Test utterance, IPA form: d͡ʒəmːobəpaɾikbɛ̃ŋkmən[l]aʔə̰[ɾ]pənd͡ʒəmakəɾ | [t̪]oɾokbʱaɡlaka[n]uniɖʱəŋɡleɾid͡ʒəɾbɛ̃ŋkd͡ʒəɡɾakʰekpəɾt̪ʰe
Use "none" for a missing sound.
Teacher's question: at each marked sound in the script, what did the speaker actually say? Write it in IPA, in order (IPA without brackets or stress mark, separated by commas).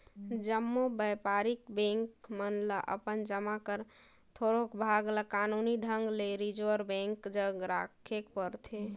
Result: l, none, t̪ʰ, n